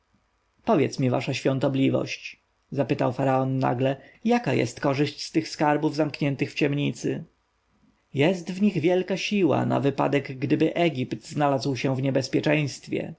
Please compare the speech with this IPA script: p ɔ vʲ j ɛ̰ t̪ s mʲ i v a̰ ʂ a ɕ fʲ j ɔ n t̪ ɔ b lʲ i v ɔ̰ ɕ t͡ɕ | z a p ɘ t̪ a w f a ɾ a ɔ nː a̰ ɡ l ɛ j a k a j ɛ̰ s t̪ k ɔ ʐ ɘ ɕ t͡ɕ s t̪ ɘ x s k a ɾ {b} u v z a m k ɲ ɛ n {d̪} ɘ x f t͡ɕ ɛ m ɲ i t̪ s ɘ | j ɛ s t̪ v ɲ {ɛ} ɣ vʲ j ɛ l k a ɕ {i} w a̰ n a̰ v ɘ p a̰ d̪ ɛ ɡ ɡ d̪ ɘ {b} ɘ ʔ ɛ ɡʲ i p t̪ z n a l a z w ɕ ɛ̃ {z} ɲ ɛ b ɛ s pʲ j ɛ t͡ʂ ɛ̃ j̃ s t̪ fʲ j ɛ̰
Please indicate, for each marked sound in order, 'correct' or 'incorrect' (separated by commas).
correct, incorrect, incorrect, correct, correct, incorrect